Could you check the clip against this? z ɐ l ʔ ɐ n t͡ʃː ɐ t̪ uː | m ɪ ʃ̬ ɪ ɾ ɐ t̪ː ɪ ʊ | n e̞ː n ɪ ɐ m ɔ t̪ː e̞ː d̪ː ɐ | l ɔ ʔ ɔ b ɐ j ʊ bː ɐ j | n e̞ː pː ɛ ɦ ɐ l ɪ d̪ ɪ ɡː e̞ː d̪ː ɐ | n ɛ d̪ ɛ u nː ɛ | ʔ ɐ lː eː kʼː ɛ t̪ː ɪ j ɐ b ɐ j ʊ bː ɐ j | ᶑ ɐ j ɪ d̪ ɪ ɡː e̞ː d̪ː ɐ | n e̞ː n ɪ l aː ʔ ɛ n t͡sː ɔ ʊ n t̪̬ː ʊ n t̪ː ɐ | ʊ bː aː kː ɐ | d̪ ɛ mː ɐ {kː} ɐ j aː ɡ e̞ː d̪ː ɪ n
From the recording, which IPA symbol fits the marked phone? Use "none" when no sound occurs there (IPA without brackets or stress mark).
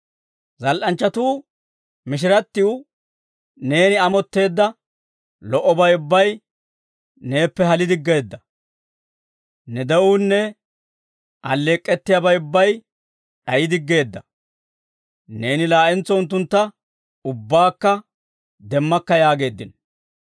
kː